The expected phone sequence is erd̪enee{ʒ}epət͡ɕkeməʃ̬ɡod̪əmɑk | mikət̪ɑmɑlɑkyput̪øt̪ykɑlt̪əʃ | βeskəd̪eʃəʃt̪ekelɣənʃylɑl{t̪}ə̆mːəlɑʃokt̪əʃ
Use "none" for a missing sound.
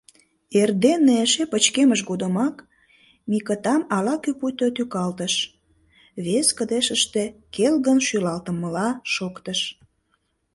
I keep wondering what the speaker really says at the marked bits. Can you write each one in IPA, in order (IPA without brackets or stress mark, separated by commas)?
ʃ, t̪